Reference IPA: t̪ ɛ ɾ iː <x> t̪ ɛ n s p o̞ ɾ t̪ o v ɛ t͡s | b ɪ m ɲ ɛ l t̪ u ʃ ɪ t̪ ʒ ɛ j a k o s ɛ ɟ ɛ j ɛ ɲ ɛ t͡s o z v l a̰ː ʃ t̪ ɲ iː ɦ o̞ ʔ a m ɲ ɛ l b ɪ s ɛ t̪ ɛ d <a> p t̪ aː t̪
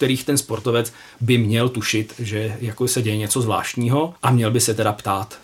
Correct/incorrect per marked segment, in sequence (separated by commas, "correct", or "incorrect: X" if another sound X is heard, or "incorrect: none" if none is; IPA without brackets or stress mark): correct, correct